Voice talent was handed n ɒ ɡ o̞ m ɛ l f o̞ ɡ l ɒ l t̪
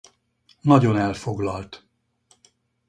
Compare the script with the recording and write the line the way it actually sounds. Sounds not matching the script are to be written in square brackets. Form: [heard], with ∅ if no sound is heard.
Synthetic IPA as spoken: n ɒ [ɟ] o̞ [n] ɛ l f o̞ ɡ l ɒ l t̪